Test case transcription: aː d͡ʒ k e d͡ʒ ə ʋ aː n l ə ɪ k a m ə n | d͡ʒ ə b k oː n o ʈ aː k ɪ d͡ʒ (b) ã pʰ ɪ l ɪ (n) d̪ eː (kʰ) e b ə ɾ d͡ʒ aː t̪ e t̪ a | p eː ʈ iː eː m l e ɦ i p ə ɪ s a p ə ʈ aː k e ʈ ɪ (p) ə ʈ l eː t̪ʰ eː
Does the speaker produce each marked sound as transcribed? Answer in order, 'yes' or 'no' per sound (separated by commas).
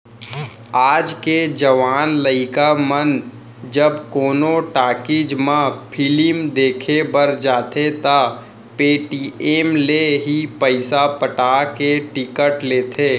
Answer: no, no, yes, no